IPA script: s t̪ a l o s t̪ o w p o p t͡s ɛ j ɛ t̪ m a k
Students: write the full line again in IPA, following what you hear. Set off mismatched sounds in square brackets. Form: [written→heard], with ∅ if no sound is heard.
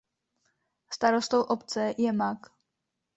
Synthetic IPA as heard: s t̪ a [l→ɾ] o s t̪ o w [p→ʔ] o p t͡s ɛ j ɛ [t̪→∅] m a k